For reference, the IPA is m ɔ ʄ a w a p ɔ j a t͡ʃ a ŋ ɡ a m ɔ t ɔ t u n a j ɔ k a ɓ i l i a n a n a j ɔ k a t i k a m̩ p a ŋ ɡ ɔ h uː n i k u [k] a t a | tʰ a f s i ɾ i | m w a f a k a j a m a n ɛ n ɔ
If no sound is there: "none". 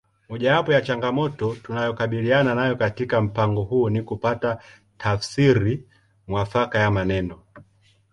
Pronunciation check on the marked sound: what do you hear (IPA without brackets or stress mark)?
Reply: p